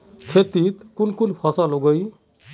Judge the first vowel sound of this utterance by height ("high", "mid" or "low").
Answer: mid